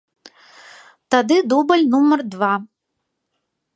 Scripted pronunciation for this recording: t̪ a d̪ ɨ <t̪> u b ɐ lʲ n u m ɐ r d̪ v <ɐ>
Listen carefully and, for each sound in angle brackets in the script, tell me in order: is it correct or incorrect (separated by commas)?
incorrect, incorrect